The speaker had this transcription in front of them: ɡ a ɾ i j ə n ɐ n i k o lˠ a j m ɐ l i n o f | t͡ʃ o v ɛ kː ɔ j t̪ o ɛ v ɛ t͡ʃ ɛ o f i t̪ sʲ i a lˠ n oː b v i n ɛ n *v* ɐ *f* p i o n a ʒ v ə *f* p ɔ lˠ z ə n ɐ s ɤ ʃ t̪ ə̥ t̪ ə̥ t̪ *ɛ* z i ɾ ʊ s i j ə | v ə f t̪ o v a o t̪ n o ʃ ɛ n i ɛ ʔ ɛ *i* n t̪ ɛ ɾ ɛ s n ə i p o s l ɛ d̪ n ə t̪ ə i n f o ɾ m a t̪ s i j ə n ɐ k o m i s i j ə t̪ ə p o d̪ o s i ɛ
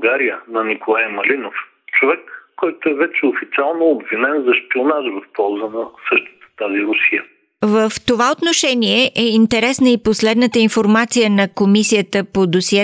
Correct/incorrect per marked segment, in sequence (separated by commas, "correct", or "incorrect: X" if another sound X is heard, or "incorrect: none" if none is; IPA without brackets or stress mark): incorrect: z, incorrect: ʃ, correct, incorrect: a, correct